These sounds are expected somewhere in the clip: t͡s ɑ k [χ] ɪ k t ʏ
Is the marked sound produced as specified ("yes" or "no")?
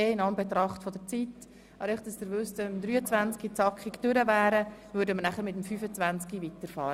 yes